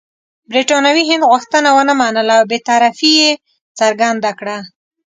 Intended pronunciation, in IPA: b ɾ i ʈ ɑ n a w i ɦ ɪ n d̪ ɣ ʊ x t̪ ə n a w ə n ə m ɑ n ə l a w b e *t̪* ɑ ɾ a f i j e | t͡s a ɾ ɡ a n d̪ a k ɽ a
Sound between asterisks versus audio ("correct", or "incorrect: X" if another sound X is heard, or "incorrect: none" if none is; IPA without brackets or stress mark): correct